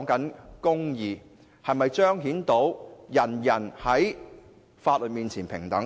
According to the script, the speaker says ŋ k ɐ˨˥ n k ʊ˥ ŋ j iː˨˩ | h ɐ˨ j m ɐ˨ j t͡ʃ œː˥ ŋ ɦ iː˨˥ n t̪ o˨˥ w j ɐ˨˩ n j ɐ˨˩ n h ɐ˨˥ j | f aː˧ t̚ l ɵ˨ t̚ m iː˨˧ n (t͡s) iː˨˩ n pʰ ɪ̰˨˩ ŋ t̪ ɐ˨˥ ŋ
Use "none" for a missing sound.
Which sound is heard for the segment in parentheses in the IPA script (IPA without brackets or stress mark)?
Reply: t͡sʰ